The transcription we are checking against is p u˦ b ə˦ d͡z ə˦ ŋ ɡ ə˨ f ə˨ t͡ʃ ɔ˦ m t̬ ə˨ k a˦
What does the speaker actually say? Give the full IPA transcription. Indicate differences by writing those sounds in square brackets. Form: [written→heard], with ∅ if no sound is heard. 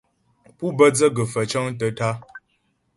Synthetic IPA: p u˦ b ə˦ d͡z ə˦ [ŋ→∅] ɡ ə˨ f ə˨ t͡ʃ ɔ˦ [m→ŋ] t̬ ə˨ [k→t] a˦